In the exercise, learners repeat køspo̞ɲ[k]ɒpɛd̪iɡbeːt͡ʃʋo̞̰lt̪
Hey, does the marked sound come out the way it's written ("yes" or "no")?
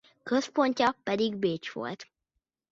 no